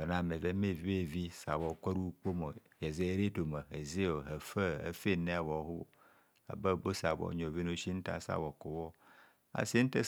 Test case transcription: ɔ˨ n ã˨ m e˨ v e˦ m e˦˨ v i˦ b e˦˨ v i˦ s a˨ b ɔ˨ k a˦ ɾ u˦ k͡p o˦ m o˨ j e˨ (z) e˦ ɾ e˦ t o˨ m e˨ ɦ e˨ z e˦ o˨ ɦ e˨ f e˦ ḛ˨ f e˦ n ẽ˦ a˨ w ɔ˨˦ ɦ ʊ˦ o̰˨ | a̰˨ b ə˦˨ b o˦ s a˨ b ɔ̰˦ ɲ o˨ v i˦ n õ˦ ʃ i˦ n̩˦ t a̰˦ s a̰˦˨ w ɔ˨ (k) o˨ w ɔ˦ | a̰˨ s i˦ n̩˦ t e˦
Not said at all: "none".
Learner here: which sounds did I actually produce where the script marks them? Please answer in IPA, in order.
z, k

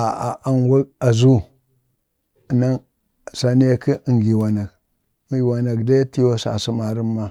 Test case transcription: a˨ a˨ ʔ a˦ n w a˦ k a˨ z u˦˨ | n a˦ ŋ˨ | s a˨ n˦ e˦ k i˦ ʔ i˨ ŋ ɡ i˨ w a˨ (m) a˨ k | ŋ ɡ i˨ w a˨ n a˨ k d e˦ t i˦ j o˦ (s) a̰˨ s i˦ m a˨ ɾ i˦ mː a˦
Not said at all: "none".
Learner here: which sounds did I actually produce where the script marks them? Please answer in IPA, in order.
n, s

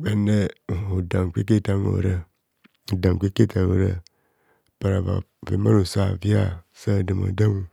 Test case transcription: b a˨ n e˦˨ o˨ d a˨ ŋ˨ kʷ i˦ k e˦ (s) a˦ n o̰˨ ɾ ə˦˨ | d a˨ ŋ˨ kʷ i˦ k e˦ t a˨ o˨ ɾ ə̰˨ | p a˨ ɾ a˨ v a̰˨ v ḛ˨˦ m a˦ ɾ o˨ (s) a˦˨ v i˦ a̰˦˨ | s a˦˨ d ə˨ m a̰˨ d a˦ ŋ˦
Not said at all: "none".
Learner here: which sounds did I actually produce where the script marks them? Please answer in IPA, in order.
t, s

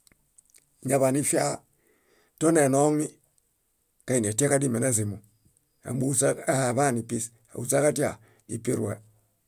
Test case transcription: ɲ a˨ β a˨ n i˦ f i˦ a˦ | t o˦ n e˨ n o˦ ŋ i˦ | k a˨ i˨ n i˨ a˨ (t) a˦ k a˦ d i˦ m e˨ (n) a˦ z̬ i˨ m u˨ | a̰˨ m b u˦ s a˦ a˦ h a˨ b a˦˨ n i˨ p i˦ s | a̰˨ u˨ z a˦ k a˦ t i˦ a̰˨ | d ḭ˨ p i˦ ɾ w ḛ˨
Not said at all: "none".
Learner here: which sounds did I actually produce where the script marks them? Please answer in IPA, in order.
t, n

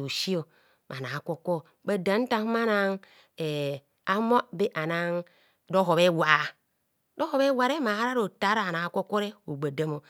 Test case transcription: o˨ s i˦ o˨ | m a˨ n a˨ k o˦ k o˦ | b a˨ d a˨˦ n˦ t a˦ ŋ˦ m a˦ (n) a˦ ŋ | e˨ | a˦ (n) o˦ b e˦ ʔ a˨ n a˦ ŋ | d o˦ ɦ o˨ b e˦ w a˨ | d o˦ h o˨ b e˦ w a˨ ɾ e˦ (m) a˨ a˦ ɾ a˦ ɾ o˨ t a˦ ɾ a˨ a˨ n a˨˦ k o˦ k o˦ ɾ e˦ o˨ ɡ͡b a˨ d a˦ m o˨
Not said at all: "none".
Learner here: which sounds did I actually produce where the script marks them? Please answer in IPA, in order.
n, m, m

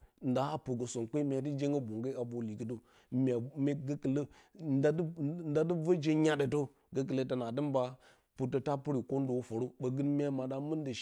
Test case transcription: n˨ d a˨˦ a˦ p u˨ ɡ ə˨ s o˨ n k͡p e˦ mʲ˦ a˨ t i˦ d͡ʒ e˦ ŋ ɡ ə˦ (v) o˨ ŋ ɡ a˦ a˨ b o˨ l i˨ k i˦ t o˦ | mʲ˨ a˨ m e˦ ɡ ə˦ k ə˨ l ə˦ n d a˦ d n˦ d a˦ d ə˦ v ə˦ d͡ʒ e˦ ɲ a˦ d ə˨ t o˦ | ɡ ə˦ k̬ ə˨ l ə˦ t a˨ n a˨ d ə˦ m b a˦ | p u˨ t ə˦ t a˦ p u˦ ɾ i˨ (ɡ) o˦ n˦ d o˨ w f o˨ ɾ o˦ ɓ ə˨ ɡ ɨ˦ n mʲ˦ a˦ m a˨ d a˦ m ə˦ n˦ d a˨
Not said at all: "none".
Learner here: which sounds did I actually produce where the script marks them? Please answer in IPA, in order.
b, k

